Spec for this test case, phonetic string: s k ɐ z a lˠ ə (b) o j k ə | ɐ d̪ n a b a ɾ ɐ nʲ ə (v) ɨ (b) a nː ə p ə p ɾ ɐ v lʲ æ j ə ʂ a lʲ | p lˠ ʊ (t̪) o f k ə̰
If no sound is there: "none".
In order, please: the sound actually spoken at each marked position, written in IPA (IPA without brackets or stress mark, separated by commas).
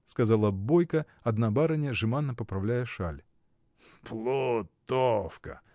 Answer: b, ʐ, m, t̪